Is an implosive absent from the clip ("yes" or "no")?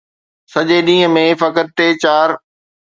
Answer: no